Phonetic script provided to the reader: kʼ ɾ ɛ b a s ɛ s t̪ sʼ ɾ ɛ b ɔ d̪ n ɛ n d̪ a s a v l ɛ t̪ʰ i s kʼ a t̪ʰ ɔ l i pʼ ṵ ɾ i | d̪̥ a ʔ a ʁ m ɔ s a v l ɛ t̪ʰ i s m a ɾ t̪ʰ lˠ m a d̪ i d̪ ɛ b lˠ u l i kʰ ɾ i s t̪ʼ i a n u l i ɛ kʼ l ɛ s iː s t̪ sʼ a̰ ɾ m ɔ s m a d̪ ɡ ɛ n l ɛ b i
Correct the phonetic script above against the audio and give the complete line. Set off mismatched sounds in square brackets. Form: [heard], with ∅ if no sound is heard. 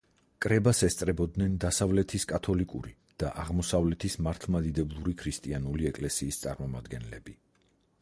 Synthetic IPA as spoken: kʼ ɾ ɛ b a s ɛ s t̪ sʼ ɾ ɛ b ɔ d̪ n ɛ n d̪ a s a v l ɛ t̪ʰ i s kʼ a t̪ʰ ɔ l i [kʼ] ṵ ɾ i | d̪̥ a ʔ a ʁ m ɔ s a v l ɛ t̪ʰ i s m a ɾ t̪ʰ lˠ m a d̪ i d̪ ɛ b lˠ u [ɾ] i kʰ ɾ i s t̪ʼ i a n u l i ɛ kʼ l ɛ s iː s t̪ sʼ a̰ ɾ m ɔ [∅] m a d̪ ɡ ɛ n l ɛ b i